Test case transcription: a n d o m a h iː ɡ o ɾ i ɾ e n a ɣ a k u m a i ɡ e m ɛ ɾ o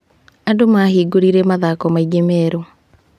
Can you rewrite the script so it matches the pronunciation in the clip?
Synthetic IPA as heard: a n d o m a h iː ɡ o ɾ i ɾ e m a ð a k ɔ m a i ɡ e m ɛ ɾ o